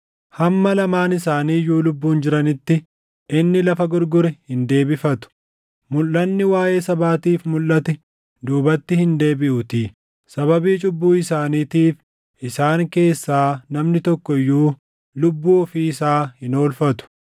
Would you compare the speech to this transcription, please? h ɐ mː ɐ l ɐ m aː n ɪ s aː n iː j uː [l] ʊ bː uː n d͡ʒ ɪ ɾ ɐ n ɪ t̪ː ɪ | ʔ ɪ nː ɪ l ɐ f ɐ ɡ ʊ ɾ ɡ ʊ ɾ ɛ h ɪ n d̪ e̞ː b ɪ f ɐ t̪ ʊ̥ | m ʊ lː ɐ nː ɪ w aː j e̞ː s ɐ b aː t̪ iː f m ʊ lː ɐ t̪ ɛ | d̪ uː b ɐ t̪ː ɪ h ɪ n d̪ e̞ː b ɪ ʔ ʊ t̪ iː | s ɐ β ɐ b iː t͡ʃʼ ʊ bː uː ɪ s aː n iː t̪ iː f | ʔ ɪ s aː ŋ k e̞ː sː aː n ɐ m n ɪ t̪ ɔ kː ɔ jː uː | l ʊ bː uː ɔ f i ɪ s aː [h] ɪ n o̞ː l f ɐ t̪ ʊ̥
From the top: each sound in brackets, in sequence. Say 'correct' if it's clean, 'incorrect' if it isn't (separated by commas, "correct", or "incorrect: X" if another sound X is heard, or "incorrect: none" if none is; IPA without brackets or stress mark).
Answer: correct, correct